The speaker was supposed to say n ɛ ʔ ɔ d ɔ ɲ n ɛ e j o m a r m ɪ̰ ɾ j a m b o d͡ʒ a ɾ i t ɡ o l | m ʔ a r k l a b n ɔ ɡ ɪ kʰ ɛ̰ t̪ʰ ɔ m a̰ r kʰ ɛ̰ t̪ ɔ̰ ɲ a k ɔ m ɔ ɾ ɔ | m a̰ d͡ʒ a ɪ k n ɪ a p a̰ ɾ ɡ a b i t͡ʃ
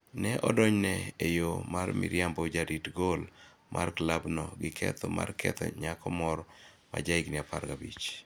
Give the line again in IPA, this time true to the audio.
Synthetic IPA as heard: n ɛ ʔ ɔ d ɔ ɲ n ɛ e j o m a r m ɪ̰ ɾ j a m b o d͡ʒ a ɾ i t ɡ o l | m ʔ a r k l a b n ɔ ɡ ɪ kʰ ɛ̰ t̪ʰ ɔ m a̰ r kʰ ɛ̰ t̪ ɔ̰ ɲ a k ɔ m ɔ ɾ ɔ | m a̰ d͡ʒ a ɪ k n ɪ a p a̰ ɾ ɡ a b i t͡ʃ